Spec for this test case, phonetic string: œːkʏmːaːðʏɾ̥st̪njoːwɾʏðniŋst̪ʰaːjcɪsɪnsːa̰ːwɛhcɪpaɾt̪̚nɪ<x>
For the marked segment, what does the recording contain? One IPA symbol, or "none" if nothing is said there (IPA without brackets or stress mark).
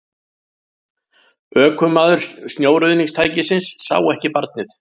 θ